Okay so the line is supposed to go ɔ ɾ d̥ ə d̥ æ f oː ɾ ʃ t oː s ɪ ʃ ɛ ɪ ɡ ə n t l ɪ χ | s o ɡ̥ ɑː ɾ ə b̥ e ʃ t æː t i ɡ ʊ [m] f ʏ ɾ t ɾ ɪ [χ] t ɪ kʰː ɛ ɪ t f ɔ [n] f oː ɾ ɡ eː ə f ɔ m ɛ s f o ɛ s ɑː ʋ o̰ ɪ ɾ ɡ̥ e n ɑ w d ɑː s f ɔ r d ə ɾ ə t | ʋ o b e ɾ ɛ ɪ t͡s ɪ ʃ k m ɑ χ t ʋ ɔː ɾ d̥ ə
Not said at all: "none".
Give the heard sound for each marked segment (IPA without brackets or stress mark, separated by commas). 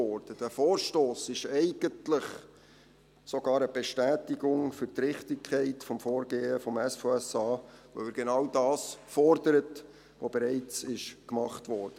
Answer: ŋ, χ, m